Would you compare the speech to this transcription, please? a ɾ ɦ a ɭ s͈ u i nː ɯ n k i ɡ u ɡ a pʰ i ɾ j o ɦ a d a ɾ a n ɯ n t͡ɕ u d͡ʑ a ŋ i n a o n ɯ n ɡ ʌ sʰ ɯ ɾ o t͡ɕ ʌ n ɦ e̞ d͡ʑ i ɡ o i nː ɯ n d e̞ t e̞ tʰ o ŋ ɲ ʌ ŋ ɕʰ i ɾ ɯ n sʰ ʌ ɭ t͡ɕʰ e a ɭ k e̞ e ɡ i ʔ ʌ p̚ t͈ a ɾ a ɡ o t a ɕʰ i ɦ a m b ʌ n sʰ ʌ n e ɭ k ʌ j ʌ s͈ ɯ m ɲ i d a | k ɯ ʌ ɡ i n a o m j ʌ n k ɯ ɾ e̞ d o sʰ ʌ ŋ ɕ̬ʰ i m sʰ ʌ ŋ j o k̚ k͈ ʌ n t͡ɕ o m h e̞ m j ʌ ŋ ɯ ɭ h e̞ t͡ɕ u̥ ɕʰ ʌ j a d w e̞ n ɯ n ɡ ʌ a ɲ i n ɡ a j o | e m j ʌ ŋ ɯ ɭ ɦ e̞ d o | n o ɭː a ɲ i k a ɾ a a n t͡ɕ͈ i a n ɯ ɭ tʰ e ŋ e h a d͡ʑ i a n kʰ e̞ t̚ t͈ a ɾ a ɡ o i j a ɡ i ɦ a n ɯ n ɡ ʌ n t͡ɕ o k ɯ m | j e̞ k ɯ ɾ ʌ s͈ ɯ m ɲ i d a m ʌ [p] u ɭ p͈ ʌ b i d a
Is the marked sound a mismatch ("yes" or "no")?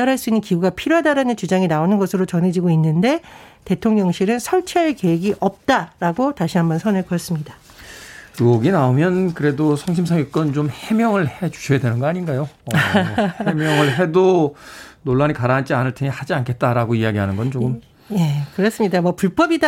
no